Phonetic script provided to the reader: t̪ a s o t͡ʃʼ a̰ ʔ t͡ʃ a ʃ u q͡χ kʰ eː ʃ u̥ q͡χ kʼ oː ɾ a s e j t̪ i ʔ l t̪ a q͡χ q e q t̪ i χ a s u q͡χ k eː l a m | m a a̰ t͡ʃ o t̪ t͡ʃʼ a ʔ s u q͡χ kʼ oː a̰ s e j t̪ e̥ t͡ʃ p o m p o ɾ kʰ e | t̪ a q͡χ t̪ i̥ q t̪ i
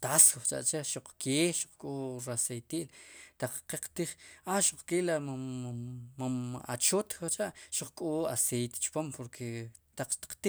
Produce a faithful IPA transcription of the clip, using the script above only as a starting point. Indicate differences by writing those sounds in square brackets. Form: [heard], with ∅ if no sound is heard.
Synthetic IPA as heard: t̪ a s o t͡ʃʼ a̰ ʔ t͡ʃ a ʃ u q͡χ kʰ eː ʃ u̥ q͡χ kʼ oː ɾ a s e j t̪ i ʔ l t̪ a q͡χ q e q t̪ i χ a [ʃ] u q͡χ k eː l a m | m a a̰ t͡ʃ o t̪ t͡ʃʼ a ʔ [ʃ] u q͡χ kʼ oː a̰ s e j t̪ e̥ t͡ʃ p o m p o ɾ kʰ e | t̪ a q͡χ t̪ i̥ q t̪ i